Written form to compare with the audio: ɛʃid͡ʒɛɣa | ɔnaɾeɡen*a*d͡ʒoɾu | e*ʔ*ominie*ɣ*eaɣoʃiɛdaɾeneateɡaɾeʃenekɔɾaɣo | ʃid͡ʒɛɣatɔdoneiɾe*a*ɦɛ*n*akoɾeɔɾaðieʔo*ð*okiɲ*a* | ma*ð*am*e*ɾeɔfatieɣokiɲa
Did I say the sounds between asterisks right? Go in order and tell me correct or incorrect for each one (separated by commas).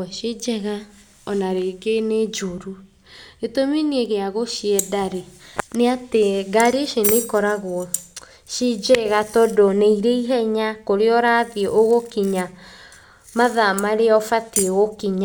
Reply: incorrect, incorrect, correct, incorrect, incorrect, incorrect, correct, correct, incorrect